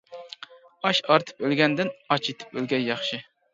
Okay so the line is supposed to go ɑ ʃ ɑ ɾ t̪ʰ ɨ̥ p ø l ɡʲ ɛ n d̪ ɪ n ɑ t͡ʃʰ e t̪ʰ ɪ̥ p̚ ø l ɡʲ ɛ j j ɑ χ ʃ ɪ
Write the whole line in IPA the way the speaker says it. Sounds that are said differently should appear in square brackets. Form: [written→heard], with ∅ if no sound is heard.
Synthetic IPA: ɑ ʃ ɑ ɾ t̪ʰ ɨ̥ p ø l ɡʲ ɛ n d̪ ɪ n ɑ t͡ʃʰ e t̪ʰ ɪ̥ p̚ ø l ɡʲ ɛ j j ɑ χ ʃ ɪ